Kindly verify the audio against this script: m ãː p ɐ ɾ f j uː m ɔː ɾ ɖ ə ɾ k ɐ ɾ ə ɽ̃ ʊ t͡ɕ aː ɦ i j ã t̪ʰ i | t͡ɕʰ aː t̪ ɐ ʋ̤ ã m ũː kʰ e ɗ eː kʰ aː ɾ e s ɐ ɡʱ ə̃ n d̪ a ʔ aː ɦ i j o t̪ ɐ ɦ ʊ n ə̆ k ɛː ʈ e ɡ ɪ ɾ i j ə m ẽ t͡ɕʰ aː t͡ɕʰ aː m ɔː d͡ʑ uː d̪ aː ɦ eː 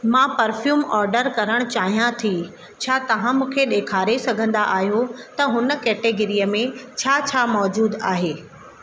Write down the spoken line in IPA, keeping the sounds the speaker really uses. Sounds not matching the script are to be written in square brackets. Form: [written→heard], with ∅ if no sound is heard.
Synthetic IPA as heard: m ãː p ɐ ɾ f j uː m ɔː ɾ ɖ ə ɾ k ɐ ɾ ə ɽ̃ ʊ t͡ɕ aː ɦ i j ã t̪ʰ i | t͡ɕʰ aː t̪ ɐ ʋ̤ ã m ũː kʰ e ɗ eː kʰ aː ɾ e s ɐ ɡʱ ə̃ n d̪ a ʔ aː ɦ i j o t̪ ɐ ɦ ʊ n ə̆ k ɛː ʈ e ɡ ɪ ɾ i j ə m ẽ t͡ɕʰ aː t͡ɕʰ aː m ɔː d͡ʑ uː d̪ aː ɦ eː

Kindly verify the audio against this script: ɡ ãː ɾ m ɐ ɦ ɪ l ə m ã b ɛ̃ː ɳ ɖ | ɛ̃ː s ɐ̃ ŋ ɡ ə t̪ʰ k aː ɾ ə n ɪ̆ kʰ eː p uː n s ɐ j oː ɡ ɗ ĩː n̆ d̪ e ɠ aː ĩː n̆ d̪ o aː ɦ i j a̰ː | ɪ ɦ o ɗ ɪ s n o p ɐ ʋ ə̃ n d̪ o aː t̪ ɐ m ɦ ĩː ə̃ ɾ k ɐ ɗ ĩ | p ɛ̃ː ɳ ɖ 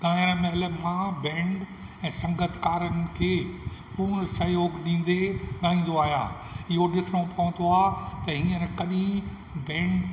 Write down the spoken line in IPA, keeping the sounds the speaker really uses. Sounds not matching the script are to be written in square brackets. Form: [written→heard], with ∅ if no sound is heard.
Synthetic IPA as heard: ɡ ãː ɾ m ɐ ɦ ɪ l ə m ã b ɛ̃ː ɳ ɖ | ɛ̃ː s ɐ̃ ŋ ɡ ə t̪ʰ k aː ɾ ə n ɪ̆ kʰ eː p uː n s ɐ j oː ɡ ɗ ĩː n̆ d̪ e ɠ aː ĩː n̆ d̪ o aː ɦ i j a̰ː | ɪ ɦ o ɗ ɪ s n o p ɐ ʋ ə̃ n d̪ o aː t̪ ɐ [m→∅] ɦ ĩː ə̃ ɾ k ɐ ɗ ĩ | [p→b] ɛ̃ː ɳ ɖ

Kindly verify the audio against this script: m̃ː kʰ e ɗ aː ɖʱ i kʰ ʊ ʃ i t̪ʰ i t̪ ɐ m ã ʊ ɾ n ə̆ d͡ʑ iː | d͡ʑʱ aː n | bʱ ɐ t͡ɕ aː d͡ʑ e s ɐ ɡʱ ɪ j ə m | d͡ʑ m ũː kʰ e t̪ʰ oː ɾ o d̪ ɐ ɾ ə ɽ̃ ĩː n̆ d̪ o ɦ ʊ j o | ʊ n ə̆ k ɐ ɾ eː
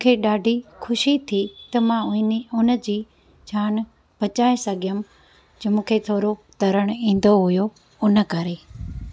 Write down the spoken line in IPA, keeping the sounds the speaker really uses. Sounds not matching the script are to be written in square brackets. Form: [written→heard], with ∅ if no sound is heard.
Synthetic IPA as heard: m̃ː kʰ e ɗ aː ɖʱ i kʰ ʊ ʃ i t̪ʰ i t̪ ɐ m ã ʊ [ɾ→∅] n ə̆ d͡ʑ iː | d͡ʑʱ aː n | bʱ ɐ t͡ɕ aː [d͡ʑ→∅] e s ɐ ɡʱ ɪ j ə m | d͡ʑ m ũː kʰ e t̪ʰ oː ɾ o [d̪→t̪] ɐ ɾ ə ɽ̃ ĩː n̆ d̪ o ɦ ʊ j o | ʊ n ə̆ k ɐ ɾ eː

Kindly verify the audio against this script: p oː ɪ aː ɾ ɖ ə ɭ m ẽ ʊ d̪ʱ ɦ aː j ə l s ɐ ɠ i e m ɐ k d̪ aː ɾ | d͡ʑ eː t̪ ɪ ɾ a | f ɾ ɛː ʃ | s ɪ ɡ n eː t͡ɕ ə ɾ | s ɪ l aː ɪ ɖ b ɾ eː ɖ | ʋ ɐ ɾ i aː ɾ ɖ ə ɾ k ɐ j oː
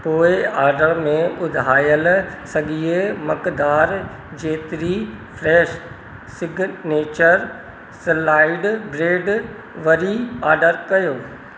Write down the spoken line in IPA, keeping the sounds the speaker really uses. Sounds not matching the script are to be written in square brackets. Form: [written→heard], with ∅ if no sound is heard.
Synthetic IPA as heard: p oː ɪ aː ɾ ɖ ə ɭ m ẽ ʊ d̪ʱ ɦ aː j ə l s ɐ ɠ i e m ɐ k d̪ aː ɾ | d͡ʑ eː t̪ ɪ ɾ [a→i] | f ɾ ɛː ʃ | s ɪ ɡ n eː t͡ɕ ə ɾ | s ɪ l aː ɪ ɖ b ɾ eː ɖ | ʋ ɐ ɾ i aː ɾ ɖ ə ɾ k ɐ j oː

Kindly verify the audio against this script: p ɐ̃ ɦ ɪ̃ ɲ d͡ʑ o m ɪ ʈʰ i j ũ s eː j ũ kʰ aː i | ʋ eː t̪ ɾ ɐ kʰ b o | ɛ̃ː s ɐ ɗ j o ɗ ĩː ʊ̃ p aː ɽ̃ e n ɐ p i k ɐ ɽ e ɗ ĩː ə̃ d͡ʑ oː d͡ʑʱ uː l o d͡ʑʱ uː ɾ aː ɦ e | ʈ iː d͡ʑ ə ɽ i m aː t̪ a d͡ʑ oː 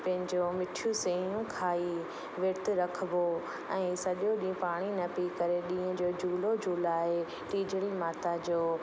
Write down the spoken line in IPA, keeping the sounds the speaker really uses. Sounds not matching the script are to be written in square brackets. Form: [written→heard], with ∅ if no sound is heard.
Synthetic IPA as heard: p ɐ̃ ɦ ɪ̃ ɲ d͡ʑ o m ɪ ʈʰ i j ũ s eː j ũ kʰ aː i | ʋ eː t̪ ɾ ɐ kʰ b o | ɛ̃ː s ɐ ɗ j o ɗ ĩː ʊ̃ p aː ɽ̃ [e→i] n ɐ p i k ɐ [ɽ→ɾ] e ɗ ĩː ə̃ d͡ʑ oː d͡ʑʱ uː l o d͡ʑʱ uː [ɾ→l] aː ɦ e | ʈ iː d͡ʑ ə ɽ i m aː t̪ a d͡ʑ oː

